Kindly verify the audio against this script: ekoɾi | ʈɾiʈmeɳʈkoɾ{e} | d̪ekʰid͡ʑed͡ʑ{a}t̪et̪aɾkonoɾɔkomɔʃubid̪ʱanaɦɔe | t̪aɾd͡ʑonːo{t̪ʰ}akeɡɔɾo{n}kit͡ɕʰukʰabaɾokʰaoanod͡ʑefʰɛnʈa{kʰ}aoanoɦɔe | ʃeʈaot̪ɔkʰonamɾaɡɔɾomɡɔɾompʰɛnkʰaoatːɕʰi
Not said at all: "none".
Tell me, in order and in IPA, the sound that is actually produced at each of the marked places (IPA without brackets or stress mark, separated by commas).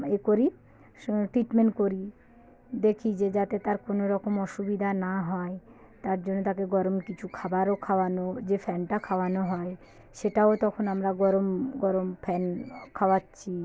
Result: i, a, t̪, m, kʰ